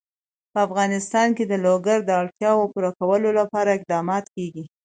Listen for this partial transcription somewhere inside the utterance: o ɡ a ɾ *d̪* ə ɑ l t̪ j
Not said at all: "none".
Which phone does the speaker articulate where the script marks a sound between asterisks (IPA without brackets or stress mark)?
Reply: d̪